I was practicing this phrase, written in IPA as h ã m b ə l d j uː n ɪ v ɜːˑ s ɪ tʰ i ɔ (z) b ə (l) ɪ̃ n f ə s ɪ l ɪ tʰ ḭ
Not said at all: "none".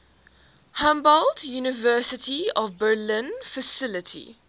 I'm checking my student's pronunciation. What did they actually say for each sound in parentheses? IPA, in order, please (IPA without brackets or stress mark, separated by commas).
v, l